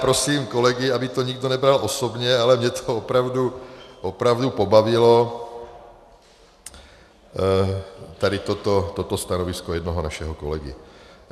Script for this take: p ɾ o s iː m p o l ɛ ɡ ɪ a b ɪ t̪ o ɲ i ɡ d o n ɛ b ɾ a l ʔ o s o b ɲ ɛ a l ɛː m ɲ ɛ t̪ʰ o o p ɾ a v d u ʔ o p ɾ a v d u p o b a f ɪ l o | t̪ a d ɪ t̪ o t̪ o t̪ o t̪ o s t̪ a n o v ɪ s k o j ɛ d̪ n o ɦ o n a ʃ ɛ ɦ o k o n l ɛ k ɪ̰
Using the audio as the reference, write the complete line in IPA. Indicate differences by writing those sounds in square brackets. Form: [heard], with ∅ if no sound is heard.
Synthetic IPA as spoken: p ɾ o s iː m [k] o l ɛ ɡ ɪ a b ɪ t̪ o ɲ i ɡ d o n ɛ b ɾ a l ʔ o s o b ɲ ɛ a l [ɛ] m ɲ ɛ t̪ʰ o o p ɾ a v d u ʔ o p ɾ a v d u p o b a [v] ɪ l o | t̪ a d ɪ t̪ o t̪ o t̪ o t̪ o s t̪ a n o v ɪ s k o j ɛ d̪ n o ɦ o n a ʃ ɛ ɦ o k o [∅] l ɛ [ɡ] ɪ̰